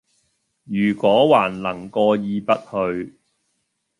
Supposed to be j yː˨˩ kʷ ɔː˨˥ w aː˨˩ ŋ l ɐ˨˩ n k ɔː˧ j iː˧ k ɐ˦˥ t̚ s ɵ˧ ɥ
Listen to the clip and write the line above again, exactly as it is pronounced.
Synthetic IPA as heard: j yː˨˩ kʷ ɔː˨˥ w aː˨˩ n l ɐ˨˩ ŋ k ɔː˧ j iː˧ p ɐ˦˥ t̚ h ɵ˧ ɥ